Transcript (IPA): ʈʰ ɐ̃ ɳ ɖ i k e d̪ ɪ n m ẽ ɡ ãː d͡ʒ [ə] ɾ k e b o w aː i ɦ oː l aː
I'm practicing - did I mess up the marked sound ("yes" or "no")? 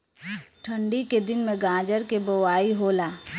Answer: no